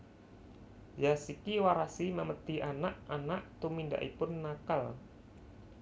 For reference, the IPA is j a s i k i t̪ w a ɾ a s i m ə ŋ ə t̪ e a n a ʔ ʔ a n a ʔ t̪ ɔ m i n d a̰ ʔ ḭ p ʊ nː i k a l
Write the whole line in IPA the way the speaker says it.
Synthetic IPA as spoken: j a s i k i w a ɾ a s i m ə m ə t̪ i a n a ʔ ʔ a n a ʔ t̪ u m i n d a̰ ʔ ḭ p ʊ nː a k a l